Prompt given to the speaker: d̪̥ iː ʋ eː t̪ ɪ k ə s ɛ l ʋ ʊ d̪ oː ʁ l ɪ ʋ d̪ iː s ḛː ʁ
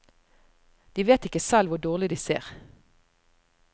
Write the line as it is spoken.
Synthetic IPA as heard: d̪̥ iː ʋ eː t̪ ɪ k ə s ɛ l ʋ ʊ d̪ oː ʁ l ɪ d̪ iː s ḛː ʁ